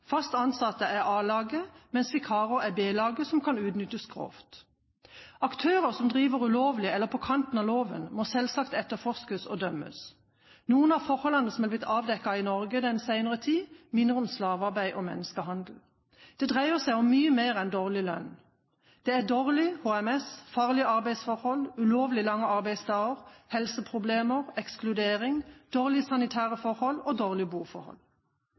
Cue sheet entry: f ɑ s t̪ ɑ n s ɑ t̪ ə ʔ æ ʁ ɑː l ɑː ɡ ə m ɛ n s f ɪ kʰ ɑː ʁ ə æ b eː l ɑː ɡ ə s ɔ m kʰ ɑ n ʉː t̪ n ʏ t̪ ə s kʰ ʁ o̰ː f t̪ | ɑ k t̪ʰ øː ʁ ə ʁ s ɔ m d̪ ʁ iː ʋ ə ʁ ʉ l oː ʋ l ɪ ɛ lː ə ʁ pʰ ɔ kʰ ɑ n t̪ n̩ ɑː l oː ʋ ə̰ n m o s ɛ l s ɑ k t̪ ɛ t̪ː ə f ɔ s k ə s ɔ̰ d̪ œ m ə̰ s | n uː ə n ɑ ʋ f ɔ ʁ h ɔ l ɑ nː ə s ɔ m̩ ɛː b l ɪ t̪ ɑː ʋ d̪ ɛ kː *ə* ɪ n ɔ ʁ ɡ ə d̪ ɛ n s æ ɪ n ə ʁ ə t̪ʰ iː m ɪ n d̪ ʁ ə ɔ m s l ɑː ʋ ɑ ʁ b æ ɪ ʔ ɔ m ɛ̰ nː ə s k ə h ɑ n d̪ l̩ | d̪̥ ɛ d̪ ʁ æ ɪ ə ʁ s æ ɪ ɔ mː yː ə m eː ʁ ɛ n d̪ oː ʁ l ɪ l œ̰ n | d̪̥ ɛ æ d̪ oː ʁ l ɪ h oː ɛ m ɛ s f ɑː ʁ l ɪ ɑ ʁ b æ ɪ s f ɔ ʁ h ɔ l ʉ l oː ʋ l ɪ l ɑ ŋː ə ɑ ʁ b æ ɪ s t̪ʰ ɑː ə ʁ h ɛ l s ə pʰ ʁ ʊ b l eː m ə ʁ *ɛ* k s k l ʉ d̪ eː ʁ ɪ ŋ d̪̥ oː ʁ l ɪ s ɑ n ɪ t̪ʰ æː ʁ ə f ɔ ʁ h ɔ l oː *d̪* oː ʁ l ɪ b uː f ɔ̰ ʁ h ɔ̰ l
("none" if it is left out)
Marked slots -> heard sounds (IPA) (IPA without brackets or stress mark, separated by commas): ɑ, ɛ, d̪